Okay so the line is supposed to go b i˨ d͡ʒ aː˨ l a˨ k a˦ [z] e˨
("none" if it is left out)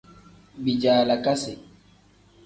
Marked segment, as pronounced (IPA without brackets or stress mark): s